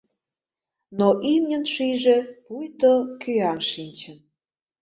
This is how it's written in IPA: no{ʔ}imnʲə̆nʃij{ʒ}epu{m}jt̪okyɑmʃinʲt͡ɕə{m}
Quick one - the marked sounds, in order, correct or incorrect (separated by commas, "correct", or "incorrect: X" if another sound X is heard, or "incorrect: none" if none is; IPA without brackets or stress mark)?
correct, correct, incorrect: none, incorrect: n